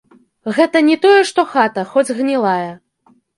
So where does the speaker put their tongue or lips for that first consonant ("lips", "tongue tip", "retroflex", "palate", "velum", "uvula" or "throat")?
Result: velum